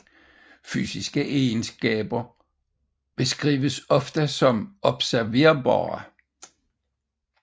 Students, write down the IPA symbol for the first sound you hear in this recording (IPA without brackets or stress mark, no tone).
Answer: f